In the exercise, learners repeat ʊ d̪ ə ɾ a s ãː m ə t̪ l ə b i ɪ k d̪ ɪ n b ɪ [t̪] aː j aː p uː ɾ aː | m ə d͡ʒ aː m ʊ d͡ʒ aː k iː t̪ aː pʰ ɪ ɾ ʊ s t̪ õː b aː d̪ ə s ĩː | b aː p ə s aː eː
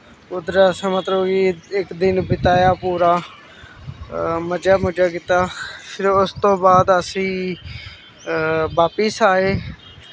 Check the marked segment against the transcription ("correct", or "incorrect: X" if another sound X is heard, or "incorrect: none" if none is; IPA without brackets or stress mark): correct